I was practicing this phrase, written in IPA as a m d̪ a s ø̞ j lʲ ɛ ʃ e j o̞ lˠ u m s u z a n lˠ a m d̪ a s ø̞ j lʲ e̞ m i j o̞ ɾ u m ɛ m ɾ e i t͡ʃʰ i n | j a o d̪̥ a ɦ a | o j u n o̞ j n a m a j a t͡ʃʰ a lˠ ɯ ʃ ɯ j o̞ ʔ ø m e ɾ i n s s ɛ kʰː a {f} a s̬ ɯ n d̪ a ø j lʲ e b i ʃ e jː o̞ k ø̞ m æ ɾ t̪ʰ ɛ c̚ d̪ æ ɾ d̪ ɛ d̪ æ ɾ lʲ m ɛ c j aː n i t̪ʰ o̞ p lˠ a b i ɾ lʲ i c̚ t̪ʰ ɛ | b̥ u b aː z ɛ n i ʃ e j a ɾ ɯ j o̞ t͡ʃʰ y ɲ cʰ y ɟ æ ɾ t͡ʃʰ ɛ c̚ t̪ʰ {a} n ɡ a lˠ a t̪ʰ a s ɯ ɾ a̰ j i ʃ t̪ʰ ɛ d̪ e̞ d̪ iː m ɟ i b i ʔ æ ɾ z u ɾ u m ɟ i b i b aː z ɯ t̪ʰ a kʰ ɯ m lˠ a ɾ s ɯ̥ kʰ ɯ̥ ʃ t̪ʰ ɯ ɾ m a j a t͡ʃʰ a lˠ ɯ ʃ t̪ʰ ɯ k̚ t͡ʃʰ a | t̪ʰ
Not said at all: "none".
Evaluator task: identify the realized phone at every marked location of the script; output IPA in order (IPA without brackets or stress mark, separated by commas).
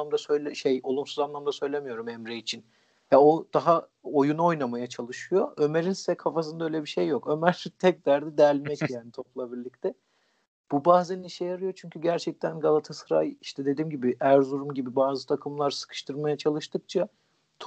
f, æ